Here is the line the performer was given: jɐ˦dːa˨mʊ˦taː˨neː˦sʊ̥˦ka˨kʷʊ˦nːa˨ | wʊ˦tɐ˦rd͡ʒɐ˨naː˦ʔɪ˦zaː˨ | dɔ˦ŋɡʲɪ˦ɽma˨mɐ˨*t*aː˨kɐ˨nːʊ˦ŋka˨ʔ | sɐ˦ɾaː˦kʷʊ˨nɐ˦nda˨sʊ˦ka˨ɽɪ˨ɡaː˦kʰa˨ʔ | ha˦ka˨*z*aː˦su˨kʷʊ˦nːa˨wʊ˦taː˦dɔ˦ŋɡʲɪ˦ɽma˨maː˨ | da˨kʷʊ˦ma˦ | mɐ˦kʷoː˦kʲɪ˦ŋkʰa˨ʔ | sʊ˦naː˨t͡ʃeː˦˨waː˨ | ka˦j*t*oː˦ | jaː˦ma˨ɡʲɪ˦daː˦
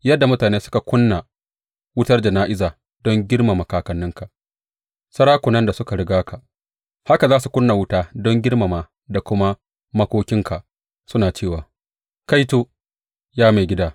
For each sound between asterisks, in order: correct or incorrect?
incorrect: k, correct, correct

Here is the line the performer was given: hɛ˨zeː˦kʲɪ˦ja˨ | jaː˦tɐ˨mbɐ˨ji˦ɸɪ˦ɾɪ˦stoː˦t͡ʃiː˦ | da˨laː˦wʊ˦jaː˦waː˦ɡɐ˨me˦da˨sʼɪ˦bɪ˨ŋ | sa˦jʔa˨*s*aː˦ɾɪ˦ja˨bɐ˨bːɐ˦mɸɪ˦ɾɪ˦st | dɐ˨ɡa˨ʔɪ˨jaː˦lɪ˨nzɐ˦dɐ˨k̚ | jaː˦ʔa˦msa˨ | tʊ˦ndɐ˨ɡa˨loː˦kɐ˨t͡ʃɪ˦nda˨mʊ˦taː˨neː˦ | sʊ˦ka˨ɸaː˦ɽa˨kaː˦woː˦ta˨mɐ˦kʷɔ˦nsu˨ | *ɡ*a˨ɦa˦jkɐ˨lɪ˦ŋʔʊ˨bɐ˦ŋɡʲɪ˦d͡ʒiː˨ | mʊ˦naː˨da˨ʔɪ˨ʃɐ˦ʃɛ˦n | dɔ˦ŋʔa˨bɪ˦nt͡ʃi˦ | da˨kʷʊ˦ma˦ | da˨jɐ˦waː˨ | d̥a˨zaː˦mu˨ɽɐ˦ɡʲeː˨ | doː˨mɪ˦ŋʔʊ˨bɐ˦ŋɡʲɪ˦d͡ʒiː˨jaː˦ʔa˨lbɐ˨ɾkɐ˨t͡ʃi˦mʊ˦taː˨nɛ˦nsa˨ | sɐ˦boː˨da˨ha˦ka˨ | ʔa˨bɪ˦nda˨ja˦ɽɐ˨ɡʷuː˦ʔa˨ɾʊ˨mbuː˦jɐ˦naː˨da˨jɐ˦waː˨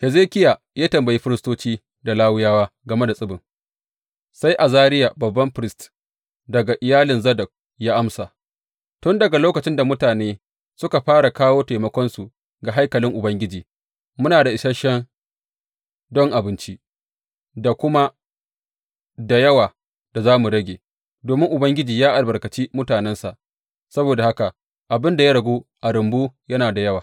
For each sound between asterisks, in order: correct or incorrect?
incorrect: z, correct

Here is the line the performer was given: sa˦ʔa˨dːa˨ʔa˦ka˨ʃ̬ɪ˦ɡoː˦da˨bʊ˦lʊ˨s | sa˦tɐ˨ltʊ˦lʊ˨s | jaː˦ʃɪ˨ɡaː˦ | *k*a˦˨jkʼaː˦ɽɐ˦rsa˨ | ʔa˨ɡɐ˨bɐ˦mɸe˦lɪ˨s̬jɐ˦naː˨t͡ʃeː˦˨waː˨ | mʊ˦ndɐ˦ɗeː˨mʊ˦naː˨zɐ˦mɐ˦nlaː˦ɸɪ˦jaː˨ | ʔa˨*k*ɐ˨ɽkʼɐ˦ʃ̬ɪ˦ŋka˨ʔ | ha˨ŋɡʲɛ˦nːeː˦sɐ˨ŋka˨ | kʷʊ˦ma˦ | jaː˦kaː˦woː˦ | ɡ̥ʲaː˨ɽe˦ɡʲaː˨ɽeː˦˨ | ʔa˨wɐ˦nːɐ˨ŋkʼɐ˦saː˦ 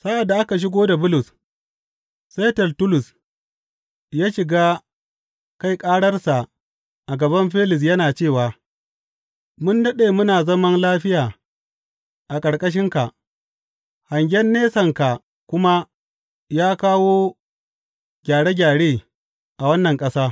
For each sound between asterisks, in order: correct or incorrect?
correct, incorrect: kʼ

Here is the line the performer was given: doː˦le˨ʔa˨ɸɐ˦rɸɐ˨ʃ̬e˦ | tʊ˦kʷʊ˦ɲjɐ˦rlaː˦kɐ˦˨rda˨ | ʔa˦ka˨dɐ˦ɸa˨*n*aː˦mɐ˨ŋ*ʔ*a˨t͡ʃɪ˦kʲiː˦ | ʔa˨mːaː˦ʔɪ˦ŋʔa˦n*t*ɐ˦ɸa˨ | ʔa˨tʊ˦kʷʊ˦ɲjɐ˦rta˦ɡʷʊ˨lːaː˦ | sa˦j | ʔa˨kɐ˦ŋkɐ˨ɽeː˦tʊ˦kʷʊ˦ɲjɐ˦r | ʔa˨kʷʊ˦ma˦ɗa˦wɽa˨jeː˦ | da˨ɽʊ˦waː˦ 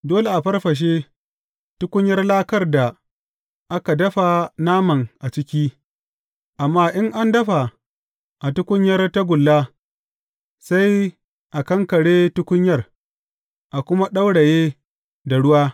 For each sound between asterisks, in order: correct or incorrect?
correct, correct, incorrect: d

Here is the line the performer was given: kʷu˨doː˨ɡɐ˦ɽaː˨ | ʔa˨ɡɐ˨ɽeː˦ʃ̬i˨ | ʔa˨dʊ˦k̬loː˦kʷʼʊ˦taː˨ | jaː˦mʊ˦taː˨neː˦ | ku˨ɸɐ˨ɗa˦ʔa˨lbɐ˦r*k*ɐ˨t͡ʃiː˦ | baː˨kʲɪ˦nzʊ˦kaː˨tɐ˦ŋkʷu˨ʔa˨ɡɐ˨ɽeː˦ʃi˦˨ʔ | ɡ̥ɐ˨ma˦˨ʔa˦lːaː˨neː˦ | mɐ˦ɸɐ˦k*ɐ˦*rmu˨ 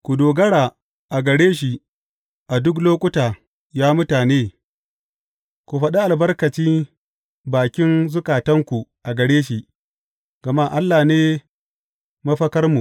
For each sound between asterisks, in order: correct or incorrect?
correct, correct

